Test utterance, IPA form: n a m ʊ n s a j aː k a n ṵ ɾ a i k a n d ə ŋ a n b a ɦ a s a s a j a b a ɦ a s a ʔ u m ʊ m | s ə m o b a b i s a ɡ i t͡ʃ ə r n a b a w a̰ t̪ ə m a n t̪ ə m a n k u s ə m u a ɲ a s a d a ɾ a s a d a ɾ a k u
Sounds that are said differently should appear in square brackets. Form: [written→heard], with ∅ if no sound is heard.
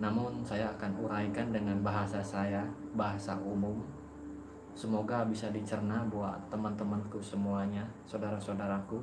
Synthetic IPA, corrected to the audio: n a m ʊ n s a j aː k a n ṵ ɾ a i k a n d ə ŋ a n b a ɦ a s a s a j a b a ɦ a s a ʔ u m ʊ m | s ə m o [b→ɡ] a b i s a [ɡ→d] i t͡ʃ ə r n a b a w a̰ t̪ ə m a n t̪ ə m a n k u s ə m u a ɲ a s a d a ɾ a s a d a ɾ a k u